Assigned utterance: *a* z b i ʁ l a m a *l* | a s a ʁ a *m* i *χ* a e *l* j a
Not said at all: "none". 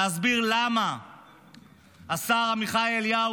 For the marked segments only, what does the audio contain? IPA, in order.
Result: a, none, m, χ, l

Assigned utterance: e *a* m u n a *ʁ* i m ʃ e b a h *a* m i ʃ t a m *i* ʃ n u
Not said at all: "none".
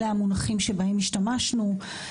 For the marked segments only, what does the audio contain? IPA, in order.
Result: a, χ, e, a

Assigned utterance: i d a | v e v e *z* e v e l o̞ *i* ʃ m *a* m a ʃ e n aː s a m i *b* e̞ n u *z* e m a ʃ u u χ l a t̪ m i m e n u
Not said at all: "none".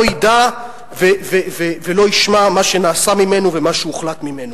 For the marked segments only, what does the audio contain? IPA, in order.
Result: v, i, a, m, v

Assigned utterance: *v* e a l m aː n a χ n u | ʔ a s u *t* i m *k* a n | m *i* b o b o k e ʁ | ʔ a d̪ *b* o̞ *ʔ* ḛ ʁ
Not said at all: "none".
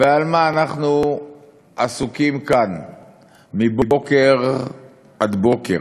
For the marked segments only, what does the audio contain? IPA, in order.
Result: v, k, k, i, b, k

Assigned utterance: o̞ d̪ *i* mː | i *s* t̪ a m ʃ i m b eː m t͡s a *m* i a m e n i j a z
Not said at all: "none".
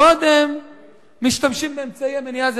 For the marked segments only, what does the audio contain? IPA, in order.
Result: e, ʃ, none

